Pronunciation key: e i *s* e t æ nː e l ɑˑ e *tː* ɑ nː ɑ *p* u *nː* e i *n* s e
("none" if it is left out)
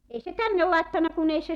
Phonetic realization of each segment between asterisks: s, tː, k, n, none

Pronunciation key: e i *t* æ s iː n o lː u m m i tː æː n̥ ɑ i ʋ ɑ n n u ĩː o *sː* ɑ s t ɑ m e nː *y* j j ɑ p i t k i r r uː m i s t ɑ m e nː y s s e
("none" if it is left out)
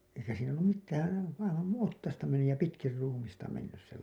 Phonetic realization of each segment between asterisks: k, tː, y

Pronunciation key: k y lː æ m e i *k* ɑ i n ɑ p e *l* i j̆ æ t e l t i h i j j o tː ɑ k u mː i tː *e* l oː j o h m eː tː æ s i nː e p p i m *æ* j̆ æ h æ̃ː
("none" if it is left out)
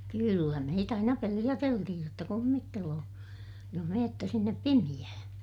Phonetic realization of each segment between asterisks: t, l, e, i

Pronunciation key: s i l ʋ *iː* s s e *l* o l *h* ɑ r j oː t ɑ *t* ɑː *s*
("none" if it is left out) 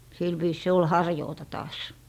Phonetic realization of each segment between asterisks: iː, none, h, t, s

